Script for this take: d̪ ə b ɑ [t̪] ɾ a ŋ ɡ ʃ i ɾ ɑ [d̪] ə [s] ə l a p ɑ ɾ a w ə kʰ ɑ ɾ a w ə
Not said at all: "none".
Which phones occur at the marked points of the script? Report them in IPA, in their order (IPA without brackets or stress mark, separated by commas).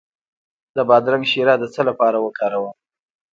d̪, d̪, t͡s